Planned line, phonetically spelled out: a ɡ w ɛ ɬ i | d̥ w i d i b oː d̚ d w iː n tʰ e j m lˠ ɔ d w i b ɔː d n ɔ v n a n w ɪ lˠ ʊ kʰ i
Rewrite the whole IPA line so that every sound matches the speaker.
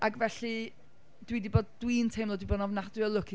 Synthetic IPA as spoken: a ɡ v ɛ ɬ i | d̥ w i d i b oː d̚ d w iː n tʰ e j m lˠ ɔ d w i b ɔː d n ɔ v n a d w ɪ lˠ ʊ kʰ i